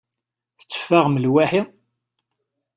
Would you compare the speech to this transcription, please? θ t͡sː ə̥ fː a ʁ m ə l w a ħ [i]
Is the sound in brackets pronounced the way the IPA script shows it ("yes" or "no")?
yes